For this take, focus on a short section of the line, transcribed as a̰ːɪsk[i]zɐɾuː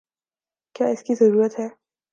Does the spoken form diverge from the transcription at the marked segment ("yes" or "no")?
no